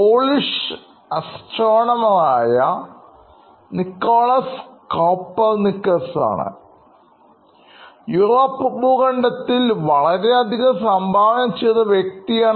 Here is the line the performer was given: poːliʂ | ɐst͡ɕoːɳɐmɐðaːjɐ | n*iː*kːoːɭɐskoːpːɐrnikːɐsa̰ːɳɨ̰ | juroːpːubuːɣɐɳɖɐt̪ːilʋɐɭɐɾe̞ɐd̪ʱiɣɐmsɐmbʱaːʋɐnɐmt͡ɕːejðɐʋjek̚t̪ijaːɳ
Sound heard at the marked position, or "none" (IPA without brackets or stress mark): i